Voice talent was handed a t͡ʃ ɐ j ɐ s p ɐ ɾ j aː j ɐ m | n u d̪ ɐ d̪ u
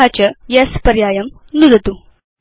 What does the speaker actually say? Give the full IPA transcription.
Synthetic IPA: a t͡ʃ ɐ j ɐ s p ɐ ɾ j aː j ɐ m | n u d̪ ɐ t̪ u